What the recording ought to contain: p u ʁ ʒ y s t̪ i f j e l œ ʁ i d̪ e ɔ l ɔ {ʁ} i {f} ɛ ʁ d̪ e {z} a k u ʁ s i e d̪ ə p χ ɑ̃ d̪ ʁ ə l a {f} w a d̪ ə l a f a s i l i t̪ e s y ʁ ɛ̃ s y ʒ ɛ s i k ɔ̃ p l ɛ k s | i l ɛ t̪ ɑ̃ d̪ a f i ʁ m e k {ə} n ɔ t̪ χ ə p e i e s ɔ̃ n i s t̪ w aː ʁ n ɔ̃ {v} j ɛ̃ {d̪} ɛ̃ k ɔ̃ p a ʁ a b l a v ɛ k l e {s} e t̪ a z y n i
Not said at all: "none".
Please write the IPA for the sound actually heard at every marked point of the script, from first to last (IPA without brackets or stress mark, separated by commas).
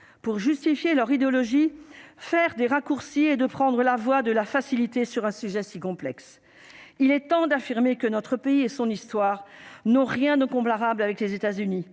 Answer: ʒ, f, ʁ, v, ə, ʁ, d̪, z